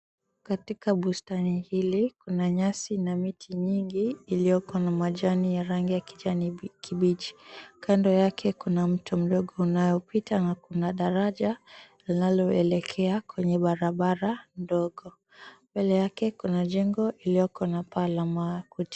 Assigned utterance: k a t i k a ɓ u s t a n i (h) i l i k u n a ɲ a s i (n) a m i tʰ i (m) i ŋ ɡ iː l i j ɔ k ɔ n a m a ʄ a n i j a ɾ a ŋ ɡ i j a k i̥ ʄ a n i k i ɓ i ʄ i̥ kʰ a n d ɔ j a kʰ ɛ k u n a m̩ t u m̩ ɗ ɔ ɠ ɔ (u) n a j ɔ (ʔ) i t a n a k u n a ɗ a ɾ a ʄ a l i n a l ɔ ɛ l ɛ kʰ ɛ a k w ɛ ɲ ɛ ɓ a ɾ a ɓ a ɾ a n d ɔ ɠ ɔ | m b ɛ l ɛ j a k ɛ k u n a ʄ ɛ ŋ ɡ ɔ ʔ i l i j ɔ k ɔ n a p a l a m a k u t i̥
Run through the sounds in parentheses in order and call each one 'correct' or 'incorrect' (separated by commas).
correct, correct, incorrect, correct, incorrect